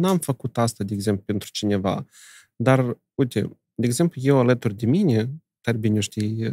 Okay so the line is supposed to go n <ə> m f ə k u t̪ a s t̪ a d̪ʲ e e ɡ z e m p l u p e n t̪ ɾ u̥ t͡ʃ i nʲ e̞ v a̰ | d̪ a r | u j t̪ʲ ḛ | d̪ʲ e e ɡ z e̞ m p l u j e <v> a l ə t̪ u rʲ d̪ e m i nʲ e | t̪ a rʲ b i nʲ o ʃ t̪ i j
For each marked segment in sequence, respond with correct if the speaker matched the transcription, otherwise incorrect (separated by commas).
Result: incorrect, incorrect